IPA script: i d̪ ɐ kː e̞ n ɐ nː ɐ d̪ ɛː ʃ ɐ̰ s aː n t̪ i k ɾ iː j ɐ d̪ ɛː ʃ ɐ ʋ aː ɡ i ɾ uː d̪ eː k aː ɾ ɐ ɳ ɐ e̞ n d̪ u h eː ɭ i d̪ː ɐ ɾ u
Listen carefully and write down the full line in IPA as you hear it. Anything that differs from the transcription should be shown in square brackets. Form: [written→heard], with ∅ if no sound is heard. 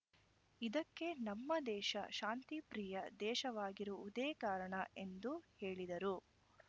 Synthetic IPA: i d̪ ɐ kː e̞ n ɐ [nː→mː] ɐ d̪ ɛː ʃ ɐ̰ [s→ʃ] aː n t̪ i [k→p] ɾ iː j ɐ d̪ ɛː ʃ ɐ ʋ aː ɡ i ɾ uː d̪ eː k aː ɾ ɐ ɳ ɐ e̞ n d̪ u h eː ɭ i [d̪ː→d̪] ɐ ɾ u

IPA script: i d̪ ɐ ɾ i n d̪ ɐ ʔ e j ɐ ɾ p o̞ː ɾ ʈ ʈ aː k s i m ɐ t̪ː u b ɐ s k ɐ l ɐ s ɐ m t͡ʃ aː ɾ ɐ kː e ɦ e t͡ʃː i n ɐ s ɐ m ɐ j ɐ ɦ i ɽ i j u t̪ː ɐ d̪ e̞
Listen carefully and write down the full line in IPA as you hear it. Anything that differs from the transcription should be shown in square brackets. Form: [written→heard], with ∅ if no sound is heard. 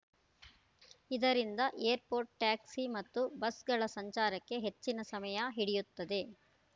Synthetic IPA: i d̪ ɐ ɾ i n d̪ ɐ ʔ e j ɐ ɾ p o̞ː ɾ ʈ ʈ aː k s i m ɐ t̪ː u b ɐ s [k→ɡ] ɐ [l→ɭ] ɐ s ɐ [m→ɲ] t͡ʃ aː ɾ ɐ kː e ɦ e t͡ʃː i n ɐ s ɐ m ɐ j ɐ ɦ i ɽ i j u t̪ː ɐ d̪ e̞

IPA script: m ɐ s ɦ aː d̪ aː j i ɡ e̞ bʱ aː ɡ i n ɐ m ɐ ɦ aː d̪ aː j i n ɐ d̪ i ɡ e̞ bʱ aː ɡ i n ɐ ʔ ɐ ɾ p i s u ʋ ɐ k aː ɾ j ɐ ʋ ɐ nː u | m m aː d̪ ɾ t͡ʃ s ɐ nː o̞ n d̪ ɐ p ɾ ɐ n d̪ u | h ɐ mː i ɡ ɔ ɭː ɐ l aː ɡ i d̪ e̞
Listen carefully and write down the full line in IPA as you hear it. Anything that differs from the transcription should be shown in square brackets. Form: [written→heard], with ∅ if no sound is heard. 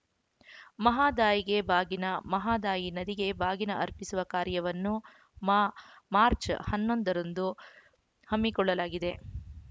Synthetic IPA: m ɐ [s→∅] ɦ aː d̪ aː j i ɡ e̞ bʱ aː ɡ i n ɐ m ɐ ɦ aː d̪ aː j i n ɐ d̪ i ɡ e̞ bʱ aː ɡ i n ɐ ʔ ɐ ɾ p i s u ʋ ɐ k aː ɾ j ɐ ʋ ɐ nː u | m m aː [d̪→∅] ɾ t͡ʃ [s→h] ɐ nː o̞ n d̪ ɐ [p→∅] ɾ ɐ n d̪ u | h ɐ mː i [ɡ→k] ɔ ɭː ɐ l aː ɡ i d̪ e̞

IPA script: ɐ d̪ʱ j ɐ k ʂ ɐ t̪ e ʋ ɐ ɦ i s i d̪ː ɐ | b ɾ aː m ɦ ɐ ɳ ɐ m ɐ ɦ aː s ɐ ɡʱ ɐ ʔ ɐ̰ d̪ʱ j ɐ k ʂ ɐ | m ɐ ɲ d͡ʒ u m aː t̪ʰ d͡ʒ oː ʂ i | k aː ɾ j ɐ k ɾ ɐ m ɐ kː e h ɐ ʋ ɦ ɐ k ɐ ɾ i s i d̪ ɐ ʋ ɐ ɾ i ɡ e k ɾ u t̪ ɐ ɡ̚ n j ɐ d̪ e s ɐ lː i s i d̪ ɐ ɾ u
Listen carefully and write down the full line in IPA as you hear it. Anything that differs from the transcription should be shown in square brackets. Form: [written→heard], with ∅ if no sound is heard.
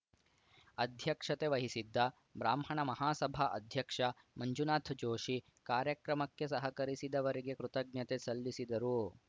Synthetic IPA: ɐ d̪ʱ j ɐ k ʂ ɐ t̪ e ʋ ɐ ɦ i s i d̪ː ɐ | b ɾ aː m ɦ ɐ ɳ ɐ m ɐ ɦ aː s ɐ [ɡʱ→bʱ] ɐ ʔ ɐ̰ d̪ʱ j ɐ k ʂ ɐ | m ɐ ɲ d͡ʒ u [m→n] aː t̪ʰ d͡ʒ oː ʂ i | k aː ɾ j ɐ k ɾ ɐ m ɐ kː e [h→s] ɐ [ʋ→∅] ɦ ɐ k ɐ ɾ i s i d̪ ɐ ʋ ɐ ɾ i ɡ e k ɾ u t̪ ɐ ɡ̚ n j ɐ [d̪→t̪] e s ɐ lː i s i d̪ ɐ ɾ u

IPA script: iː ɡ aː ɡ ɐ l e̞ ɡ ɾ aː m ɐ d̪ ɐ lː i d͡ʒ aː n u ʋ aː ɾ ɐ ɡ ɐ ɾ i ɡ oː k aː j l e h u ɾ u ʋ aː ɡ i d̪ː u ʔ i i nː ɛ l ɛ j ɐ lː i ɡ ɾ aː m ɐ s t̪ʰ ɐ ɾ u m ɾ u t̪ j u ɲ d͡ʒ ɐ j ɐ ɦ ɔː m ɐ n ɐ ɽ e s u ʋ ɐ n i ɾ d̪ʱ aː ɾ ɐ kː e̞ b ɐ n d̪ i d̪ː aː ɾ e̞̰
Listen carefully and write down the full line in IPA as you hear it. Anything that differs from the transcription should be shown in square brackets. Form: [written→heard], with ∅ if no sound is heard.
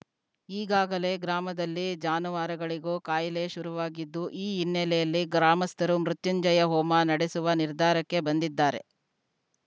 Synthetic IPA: iː ɡ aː ɡ ɐ l e̞ ɡ ɾ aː m ɐ d̪ ɐ lː i d͡ʒ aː n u ʋ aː ɾ ɐ ɡ ɐ [ɾ→ɭ] i ɡ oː k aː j l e [h→ʃ] u ɾ u ʋ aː ɡ i d̪ː u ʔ [i→iː] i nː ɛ l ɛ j ɐ lː i ɡ ɾ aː m ɐ s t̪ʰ ɐ ɾ u m ɾ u t̪ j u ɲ d͡ʒ ɐ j ɐ ɦ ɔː m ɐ n ɐ ɽ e s u ʋ ɐ n i ɾ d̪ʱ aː ɾ ɐ kː e̞ b ɐ n d̪ i d̪ː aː ɾ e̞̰

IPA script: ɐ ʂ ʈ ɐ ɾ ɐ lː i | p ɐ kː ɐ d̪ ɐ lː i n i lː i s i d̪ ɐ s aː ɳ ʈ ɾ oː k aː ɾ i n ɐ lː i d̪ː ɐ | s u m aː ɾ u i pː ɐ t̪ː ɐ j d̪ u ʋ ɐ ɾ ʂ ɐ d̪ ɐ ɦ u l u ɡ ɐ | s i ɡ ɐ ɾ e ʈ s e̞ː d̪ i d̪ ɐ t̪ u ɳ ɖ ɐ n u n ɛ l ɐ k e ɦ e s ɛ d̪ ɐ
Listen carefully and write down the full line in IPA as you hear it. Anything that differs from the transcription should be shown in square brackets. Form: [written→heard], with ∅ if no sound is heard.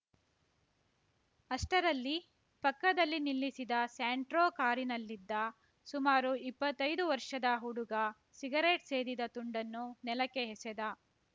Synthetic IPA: ɐ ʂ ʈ ɐ ɾ ɐ lː i | p ɐ kː ɐ d̪ ɐ lː i n i lː i s i d̪ ɐ s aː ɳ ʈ ɾ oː k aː ɾ i n ɐ lː i d̪ː ɐ | s u m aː ɾ u i pː ɐ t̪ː ɐ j d̪ u ʋ ɐ ɾ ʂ ɐ d̪ ɐ ɦ u [l→ɽ] u ɡ ɐ | s i ɡ ɐ ɾ e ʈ s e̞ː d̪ i d̪ ɐ t̪ u ɳ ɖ ɐ [n→nː] u n ɛ l ɐ k e ɦ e s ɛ d̪ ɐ

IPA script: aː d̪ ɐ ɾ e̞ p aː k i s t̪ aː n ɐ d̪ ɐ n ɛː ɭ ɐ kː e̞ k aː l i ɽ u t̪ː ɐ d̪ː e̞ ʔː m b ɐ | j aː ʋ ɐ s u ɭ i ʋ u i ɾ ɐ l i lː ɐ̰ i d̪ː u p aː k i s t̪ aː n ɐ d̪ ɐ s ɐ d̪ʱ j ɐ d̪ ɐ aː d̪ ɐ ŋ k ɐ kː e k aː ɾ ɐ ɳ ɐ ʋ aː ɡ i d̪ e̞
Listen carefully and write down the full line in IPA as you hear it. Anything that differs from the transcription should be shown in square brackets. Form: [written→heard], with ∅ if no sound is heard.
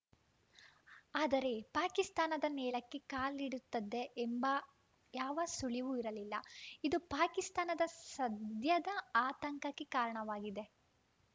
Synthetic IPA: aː d̪ ɐ ɾ e̞ p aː k i s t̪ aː n ɐ d̪ ɐ n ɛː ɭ ɐ kː e̞ k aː l i ɽ u t̪ː ɐ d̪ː e̞ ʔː m b ɐ | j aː ʋ ɐ s u ɭ i ʋ u i ɾ ɐ l i lː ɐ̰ i [d̪ː→d̪] u p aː k i s t̪ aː n ɐ d̪ ɐ s ɐ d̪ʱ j ɐ d̪ ɐ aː [d̪→t̪] ɐ ŋ k ɐ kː e k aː ɾ ɐ ɳ ɐ ʋ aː ɡ i d̪ e̞

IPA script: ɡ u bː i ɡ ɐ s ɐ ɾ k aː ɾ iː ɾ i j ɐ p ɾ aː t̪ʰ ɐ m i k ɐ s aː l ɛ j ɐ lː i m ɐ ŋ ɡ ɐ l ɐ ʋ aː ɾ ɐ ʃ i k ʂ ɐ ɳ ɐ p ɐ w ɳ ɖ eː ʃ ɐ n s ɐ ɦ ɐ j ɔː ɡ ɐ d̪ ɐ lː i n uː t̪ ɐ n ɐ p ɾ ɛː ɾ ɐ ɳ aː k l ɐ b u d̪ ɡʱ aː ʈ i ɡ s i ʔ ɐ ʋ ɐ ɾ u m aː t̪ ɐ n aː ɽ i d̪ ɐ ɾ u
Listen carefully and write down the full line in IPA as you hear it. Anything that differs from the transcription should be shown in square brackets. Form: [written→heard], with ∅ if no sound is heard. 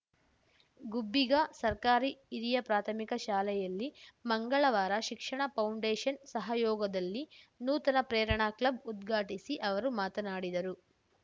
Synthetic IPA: ɡ u bː i ɡ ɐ s ɐ ɾ k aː ɾ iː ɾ i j ɐ p ɾ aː t̪ʰ ɐ m i k ɐ [s→ʃ] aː l ɛ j ɐ lː i m ɐ ŋ ɡ ɐ [l→ɭ] ɐ ʋ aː ɾ ɐ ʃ i k ʂ ɐ ɳ ɐ p ɐ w ɳ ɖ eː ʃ ɐ n s ɐ ɦ ɐ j ɔː ɡ ɐ d̪ ɐ lː i n uː t̪ ɐ n ɐ p ɾ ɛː ɾ ɐ ɳ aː k l ɐ b u d̪ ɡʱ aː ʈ i [ɡ→∅] s i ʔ ɐ ʋ ɐ ɾ u m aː t̪ ɐ n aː ɽ i d̪ ɐ ɾ u

